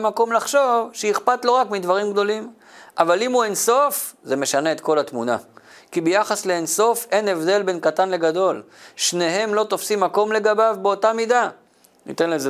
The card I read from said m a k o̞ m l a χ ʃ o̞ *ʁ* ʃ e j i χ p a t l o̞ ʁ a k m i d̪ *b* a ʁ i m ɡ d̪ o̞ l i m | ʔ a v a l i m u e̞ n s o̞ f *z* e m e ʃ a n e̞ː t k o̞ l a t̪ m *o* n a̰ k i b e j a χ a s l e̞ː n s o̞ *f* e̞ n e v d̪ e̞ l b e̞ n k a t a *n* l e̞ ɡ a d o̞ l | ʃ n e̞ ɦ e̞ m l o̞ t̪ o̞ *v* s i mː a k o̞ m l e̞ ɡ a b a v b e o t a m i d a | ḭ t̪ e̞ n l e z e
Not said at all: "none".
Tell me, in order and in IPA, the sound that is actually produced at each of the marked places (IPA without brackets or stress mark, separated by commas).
v, v, z, u, f, n, f